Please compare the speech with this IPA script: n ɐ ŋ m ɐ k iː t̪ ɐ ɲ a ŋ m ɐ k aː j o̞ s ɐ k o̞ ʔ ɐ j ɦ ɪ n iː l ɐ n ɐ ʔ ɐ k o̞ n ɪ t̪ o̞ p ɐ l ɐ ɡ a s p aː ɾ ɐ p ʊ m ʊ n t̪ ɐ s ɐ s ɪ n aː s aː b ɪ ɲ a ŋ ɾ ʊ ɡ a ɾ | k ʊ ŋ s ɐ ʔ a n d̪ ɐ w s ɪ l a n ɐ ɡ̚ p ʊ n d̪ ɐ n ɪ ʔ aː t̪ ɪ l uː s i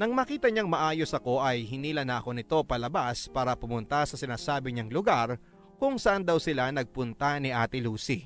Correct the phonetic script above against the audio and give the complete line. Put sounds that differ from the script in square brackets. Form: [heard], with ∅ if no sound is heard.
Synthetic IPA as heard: n ɐ ŋ m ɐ k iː t̪ ɐ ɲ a ŋ m ɐ [ʔ] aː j o̞ s ɐ k o̞ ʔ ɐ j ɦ ɪ n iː l ɐ n ɐ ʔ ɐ k o̞ n ɪ t̪ o̞ p ɐ l ɐ [b] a s p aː ɾ ɐ p ʊ m ʊ n t̪ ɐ s ɐ s ɪ n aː s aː b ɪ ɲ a ŋ [l] ʊ ɡ a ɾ | k ʊ ŋ s ɐ ʔ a n d̪ ɐ w s ɪ l a n ɐ ɡ̚ p ʊ n [t̪] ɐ n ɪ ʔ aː t̪ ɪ l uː s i